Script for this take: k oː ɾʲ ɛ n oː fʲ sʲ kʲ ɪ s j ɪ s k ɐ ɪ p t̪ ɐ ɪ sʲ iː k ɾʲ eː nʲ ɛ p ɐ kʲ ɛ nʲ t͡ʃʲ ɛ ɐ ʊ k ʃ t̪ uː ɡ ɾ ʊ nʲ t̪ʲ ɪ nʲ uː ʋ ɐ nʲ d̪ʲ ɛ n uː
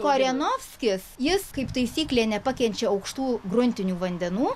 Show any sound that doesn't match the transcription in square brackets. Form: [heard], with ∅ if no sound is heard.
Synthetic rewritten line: k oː ɾʲ ɛ n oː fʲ sʲ kʲ ɪ s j ɪ s k ɐ ɪ p t̪ ɐ ɪ sʲ iː k [lʲ] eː nʲ ɛ p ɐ kʲ ɛ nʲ t͡ʃʲ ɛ ɐ ʊ k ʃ t̪ uː ɡ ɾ ʊ nʲ t̪ʲ ɪ nʲ uː ʋ ɐ nʲ d̪ʲ ɛ n uː